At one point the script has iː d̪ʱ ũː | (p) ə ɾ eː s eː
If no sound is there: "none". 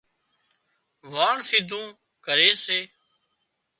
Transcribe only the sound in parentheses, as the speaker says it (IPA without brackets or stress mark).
k